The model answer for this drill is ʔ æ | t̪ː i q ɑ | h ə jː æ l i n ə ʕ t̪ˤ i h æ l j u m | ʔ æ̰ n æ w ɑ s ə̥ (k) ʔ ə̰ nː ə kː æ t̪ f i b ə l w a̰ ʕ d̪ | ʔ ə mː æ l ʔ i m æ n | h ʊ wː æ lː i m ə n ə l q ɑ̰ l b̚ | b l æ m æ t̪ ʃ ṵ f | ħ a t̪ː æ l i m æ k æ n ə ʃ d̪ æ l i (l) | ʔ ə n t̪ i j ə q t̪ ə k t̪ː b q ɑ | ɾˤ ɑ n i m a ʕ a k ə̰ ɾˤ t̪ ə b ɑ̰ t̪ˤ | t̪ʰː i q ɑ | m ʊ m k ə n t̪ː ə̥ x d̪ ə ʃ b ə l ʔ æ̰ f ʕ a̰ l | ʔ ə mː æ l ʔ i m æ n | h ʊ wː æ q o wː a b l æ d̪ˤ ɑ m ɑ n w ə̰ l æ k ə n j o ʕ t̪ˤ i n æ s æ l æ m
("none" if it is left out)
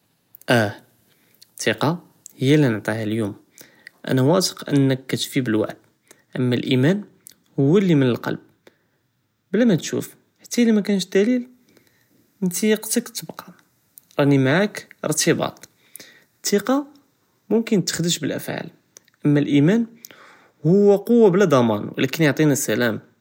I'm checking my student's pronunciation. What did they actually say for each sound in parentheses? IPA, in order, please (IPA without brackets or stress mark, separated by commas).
q, l